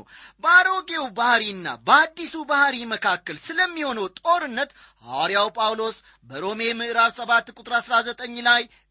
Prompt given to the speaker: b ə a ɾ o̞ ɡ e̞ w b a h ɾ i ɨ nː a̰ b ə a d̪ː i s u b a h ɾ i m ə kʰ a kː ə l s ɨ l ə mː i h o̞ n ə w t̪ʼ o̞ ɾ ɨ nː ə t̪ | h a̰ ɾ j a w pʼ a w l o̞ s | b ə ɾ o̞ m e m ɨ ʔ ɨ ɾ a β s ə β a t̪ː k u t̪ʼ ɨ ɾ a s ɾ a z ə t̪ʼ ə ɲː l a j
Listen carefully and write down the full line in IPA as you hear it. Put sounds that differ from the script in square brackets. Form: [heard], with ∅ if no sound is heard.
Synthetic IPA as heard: b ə a ɾ o̞ ɡ e̞ w b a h ɾ i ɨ nː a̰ b ə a d̪ː i s u b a h ɾ i m ə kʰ a kː ə l s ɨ l ə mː i h o̞ n ə w t̪ʼ o̞ ɾ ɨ nː ə t̪ | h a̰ ɾ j a w pʼ a w l o̞ s | b ə ɾ o̞ m e m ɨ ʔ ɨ ɾ a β s ə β a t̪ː [kʼ] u t̪ʼ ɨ ɾ a s ɾ a z ə t̪ʼ ə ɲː l a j